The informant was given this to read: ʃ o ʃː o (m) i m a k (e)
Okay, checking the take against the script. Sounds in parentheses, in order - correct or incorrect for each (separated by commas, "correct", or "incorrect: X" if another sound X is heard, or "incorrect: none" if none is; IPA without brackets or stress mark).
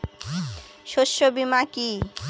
incorrect: b, incorrect: i